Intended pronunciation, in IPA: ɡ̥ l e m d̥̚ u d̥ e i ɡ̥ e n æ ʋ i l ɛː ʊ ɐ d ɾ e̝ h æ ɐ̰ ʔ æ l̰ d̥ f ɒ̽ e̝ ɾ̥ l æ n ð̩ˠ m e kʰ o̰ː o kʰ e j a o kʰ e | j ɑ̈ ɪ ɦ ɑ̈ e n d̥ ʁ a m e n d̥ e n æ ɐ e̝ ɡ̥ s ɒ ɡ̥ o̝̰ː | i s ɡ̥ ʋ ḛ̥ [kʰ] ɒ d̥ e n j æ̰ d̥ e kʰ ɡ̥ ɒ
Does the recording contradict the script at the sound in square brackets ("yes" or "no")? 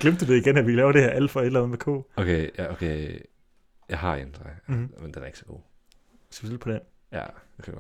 yes